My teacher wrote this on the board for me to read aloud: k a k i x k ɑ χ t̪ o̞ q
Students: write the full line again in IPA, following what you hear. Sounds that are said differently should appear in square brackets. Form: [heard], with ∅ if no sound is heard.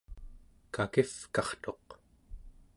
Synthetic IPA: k a k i [f] k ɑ χ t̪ o̞ q